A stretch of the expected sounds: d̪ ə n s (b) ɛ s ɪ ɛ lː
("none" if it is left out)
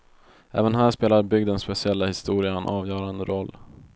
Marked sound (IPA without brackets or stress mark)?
p